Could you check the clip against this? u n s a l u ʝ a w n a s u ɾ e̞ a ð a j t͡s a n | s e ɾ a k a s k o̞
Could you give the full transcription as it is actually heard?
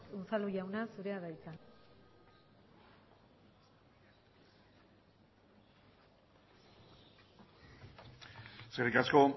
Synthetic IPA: u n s a l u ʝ a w n a s u ɾ e̞ a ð a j t͡s a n | s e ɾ i k a s k o̞